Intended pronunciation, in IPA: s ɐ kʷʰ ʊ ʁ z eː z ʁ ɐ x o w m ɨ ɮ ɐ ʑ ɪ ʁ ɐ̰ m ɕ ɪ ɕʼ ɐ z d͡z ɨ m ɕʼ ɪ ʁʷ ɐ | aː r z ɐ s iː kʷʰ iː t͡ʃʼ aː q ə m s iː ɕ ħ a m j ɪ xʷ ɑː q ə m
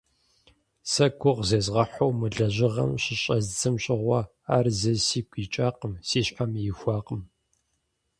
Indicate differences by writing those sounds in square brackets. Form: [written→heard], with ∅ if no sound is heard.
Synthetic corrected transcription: s ɐ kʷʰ ʊ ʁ z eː z ʁ ɐ [x→ħ] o w m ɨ ɮ ɐ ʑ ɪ ʁ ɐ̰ m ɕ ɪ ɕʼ ɐ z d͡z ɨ m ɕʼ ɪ ʁʷ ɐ | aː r z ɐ s iː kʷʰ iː t͡ʃʼ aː q ə m s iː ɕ ħ a m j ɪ xʷ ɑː q ə m